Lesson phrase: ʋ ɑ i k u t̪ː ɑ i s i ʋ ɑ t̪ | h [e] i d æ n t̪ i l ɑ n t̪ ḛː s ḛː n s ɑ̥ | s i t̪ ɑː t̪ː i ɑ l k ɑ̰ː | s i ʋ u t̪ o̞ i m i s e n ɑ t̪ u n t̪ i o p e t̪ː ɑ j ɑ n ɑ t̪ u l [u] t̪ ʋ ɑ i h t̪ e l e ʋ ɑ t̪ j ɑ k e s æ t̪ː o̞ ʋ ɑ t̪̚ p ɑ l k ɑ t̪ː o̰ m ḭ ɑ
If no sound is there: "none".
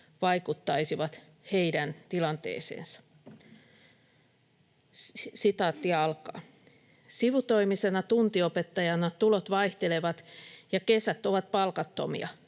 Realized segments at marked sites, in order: e, o

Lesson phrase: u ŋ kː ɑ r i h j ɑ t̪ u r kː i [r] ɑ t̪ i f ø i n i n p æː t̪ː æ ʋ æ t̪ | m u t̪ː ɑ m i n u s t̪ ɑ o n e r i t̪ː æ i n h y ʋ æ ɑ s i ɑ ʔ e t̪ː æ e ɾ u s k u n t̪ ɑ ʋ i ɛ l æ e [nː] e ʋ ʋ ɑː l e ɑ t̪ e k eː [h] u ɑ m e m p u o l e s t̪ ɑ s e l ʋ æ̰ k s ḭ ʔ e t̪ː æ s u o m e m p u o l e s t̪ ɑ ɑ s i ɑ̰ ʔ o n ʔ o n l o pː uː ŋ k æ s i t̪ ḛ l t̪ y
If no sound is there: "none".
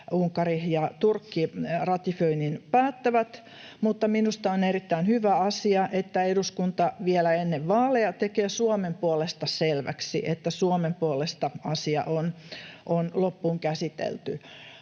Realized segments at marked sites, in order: r, nː, s

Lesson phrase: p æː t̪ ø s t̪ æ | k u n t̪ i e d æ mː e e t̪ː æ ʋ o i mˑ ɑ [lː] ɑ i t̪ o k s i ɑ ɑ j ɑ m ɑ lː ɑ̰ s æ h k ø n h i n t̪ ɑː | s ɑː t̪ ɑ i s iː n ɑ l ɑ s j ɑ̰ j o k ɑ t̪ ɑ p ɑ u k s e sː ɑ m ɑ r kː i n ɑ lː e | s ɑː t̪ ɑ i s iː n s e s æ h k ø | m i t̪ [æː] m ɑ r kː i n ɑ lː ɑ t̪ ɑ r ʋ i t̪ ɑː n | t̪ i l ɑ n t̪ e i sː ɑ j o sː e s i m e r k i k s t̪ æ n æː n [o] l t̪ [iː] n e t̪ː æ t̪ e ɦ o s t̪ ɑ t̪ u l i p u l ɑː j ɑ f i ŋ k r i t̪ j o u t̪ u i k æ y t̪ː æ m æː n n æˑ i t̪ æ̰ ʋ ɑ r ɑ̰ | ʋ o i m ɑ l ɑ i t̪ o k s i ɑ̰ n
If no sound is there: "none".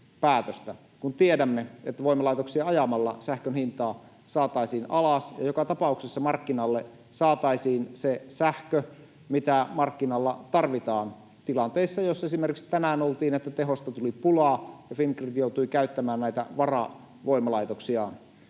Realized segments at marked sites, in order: l, æ, o, iː

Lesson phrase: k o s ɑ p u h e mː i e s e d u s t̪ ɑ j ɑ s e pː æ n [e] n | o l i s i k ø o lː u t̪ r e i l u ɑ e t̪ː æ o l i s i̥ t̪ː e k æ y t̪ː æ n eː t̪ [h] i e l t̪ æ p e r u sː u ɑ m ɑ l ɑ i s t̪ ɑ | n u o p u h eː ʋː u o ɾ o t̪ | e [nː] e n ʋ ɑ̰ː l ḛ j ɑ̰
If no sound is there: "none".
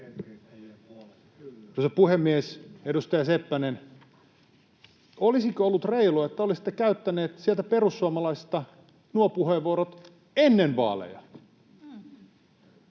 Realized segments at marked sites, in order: e, s, nː

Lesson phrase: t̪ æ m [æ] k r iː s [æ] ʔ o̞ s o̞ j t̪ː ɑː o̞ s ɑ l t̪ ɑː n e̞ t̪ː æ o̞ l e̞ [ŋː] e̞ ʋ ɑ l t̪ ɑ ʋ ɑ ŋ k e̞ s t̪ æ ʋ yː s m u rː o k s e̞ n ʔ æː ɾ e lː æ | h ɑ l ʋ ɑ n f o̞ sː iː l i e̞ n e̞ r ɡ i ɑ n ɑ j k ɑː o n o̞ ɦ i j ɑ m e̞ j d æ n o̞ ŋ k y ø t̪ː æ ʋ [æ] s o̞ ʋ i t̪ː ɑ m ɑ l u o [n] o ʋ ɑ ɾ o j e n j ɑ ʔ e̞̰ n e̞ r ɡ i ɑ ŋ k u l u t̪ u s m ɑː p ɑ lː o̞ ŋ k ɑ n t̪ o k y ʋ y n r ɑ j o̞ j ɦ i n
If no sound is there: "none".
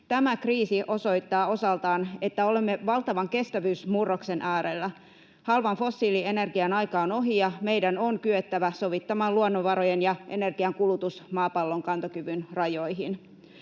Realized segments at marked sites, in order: æ, i, mː, æ, nː

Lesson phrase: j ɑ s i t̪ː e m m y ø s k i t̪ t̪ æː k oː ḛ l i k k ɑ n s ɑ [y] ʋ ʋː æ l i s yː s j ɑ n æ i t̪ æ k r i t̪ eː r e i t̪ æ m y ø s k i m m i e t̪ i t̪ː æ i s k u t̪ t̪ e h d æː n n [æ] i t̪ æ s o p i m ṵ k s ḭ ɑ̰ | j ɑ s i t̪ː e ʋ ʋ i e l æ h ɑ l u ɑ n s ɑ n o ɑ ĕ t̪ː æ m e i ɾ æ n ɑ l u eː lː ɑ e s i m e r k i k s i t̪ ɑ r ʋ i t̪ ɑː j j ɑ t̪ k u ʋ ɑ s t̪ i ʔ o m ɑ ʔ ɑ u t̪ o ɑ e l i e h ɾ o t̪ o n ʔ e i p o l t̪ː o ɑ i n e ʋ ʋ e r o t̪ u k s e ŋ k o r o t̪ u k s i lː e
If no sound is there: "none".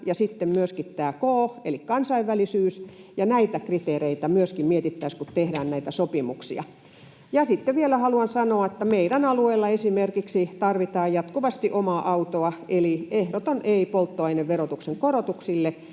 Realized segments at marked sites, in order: i, æ

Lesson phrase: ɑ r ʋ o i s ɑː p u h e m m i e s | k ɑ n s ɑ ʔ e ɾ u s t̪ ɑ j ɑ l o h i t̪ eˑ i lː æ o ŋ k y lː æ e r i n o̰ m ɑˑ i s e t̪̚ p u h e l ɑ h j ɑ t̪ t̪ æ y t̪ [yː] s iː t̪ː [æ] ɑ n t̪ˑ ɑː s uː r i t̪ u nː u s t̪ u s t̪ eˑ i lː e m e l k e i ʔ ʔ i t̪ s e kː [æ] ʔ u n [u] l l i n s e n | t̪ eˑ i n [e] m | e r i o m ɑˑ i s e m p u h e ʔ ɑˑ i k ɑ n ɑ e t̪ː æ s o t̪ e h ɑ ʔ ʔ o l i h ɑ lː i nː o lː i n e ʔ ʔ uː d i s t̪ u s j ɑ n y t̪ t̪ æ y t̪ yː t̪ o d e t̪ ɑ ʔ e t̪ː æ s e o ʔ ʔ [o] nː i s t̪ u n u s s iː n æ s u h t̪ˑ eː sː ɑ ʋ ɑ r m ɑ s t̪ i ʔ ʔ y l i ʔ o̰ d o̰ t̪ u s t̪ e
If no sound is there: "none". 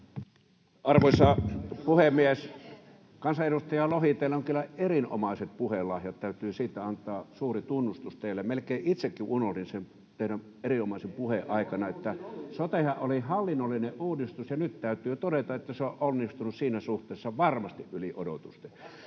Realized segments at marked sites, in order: yː, æ, i, o, æ, o

